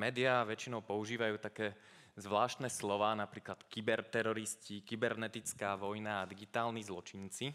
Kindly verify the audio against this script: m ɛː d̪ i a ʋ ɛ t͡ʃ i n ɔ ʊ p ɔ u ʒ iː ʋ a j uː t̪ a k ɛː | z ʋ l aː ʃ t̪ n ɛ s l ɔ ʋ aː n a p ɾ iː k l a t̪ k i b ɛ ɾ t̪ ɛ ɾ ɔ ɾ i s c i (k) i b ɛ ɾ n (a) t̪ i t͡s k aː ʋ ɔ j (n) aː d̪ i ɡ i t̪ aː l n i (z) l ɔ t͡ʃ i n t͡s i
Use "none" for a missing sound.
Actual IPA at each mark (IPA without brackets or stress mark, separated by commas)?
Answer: k, ɛ, n, z